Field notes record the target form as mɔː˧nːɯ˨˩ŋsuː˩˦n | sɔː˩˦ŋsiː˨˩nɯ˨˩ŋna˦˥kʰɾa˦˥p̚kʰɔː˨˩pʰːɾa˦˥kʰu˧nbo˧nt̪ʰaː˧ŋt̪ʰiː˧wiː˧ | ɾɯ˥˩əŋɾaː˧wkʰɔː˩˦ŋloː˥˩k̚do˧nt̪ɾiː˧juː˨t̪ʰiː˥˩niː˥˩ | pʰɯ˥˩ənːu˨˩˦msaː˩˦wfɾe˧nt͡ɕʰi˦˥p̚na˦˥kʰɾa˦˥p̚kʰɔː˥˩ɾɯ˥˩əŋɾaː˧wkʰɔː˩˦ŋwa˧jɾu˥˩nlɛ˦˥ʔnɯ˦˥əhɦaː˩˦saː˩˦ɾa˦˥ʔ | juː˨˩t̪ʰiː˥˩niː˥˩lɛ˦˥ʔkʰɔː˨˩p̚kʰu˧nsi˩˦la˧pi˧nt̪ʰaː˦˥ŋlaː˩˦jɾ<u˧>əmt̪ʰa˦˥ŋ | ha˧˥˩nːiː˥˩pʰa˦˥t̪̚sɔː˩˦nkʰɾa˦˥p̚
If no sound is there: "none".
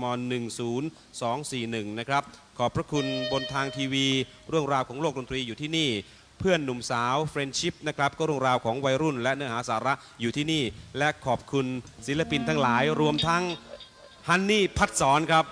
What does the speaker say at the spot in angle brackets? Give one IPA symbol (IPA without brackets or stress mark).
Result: u˧